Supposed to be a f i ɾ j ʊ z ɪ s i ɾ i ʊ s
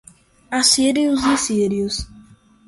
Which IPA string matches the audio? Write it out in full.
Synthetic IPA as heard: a s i ɾ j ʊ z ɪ s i ɾ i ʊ s

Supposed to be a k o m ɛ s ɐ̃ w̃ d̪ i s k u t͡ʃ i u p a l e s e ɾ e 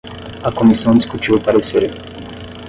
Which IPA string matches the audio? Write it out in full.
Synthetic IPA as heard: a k o m i s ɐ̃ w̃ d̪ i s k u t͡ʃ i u p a ɾ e s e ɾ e

